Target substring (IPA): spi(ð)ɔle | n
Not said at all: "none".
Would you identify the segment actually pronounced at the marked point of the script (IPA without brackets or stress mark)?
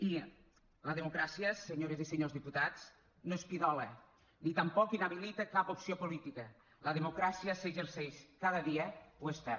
ð